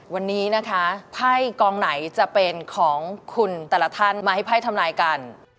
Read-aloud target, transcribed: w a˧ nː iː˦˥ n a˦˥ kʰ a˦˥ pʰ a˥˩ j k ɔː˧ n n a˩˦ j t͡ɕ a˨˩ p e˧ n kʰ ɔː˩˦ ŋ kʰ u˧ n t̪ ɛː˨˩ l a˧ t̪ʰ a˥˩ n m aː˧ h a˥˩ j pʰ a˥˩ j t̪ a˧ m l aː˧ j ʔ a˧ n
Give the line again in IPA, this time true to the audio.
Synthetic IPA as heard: w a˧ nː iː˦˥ n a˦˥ kʰ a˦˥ pʰ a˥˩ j k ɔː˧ ŋ n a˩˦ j t͡ɕ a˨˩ p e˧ n kʰ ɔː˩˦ ŋ kʰ u˧ n t̪ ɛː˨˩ l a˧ t̪ʰ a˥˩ n m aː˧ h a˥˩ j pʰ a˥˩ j t̪ʰ a˧ m l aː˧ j k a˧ n

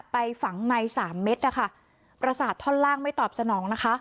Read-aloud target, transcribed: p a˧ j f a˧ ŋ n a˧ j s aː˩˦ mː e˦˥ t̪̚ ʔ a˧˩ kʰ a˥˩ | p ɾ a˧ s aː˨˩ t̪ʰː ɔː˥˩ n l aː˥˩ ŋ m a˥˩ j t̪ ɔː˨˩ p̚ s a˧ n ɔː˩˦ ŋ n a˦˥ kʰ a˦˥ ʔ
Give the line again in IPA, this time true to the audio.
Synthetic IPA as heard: p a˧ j f a˩˦ ŋ n a˧ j s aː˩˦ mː e˦˥ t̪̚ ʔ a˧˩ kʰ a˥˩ | p ɾ a˧ s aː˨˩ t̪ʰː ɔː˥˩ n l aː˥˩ ŋ m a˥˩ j t̪ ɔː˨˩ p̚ s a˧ n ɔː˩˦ ŋ n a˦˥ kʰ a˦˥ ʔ

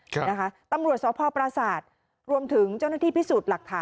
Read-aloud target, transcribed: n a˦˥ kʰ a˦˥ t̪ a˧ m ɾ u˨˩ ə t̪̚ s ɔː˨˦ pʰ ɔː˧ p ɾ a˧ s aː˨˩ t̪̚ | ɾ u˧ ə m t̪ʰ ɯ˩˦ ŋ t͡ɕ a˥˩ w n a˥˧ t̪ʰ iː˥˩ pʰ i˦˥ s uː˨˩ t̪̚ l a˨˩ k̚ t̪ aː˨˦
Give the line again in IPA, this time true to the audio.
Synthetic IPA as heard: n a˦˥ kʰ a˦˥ t̪ a˧ m ɾ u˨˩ ə t̪̚ s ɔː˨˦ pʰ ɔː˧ p ɾ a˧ s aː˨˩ t̪̚ | ɾ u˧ ə m t̪ʰ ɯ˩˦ ŋ t͡ɕ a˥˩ w n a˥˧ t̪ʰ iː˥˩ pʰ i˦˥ s uː˨˩ t̪̚ l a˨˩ k̚ t̪ʰ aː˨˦

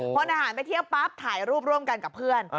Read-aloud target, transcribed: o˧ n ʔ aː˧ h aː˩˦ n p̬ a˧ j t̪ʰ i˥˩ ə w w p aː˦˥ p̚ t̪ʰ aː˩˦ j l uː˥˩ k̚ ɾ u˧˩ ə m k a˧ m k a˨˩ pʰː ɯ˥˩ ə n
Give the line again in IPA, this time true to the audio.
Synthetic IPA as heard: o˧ n ʔ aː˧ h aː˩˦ n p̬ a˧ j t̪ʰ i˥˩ ə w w p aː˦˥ p̚ t̪ʰ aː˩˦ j ɾ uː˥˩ p̚ ɾ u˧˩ ə m k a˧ n k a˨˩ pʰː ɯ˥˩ ə n

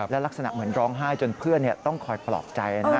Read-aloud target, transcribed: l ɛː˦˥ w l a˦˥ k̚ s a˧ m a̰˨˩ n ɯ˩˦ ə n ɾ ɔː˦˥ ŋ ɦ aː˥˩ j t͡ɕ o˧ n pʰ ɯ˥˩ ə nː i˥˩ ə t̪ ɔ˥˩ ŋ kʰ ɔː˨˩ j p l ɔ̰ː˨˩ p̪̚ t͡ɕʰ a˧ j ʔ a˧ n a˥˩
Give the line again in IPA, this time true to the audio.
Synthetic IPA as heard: l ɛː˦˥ w l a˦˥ k̚ s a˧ n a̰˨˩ m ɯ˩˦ ə n ɾ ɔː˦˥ ŋ ɦ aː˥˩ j t͡ɕ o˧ n pʰ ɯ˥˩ ə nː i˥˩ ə t̪ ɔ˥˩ ŋ kʰ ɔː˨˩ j p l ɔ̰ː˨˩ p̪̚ t͡ɕ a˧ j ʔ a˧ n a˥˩

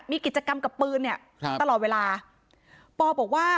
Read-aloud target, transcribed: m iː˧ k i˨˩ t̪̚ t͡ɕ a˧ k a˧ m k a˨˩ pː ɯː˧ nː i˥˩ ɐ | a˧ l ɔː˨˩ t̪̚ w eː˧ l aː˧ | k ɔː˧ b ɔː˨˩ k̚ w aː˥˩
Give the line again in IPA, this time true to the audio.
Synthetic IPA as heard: m iː˧ k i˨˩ t̪̚ t͡ɕ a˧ k a˧ m k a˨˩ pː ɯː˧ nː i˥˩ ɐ | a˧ l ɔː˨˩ t̪̚ w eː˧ l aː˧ | p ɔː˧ b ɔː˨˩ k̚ w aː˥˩

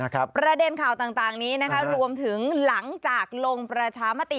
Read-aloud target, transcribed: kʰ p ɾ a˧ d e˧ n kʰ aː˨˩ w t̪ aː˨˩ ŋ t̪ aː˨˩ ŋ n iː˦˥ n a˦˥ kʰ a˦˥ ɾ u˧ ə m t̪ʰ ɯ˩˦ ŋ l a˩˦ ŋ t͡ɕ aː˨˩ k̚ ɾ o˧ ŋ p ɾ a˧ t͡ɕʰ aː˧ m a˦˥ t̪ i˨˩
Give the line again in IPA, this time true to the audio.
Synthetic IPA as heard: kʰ p ɾ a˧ d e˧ n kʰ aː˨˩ w t̪ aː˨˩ ŋ t̪ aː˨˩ ŋ n iː˦˥ n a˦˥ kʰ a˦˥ ɾ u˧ ə m t̪ʰ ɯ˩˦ ŋ l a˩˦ ŋ t͡ɕ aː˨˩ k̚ l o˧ ŋ p ɾ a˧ t͡ɕʰ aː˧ m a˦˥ t̪ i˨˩

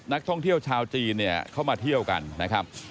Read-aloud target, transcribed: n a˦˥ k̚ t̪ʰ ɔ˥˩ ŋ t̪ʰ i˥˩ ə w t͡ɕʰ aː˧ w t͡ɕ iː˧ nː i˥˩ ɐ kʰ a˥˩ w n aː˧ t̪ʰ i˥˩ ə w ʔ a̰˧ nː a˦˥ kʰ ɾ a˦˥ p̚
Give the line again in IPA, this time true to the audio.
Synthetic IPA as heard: n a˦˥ k̚ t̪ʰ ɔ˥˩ ŋ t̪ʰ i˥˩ ə w t͡ɕʰ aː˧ w t͡ɕ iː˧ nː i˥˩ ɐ kʰ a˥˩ w m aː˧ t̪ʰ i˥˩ ə w k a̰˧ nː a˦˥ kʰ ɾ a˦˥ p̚

